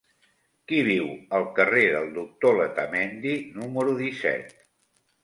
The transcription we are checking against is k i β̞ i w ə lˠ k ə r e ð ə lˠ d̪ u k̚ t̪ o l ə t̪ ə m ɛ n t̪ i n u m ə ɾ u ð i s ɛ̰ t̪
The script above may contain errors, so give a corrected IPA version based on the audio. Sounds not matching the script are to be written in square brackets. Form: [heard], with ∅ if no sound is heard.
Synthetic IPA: k i β̞ i w ə lˠ k ə r e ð ə lˠ d̪ u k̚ t̪ o l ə t̪ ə m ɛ n [d̪] i n u m ə ɾ u ð i s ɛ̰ t̪